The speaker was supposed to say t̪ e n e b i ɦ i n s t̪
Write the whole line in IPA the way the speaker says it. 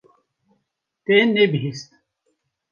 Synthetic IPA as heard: t̪ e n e b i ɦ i s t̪